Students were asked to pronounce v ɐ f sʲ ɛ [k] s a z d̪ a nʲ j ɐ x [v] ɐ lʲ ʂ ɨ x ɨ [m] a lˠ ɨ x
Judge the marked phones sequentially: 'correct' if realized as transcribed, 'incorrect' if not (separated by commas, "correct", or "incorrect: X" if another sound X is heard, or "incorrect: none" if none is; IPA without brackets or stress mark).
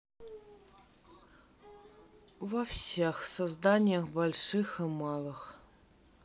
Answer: incorrect: x, incorrect: b, correct